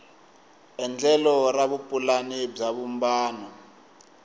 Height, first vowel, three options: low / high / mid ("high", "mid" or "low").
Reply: mid